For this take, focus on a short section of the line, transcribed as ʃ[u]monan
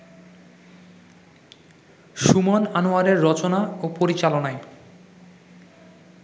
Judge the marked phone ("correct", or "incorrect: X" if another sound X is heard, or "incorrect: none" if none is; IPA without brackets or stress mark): correct